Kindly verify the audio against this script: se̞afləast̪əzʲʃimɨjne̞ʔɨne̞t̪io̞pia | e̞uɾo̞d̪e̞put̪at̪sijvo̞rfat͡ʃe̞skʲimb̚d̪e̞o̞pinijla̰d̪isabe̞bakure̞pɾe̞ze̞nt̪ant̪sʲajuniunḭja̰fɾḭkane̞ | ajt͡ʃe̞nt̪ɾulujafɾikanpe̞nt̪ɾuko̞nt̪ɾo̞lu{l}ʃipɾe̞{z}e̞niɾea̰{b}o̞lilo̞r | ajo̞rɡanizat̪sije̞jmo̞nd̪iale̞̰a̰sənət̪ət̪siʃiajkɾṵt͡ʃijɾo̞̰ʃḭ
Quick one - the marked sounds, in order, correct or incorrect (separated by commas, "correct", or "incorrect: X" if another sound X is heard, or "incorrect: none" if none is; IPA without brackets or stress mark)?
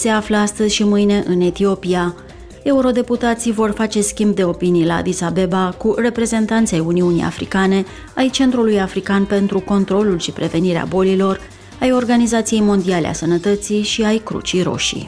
correct, incorrect: v, correct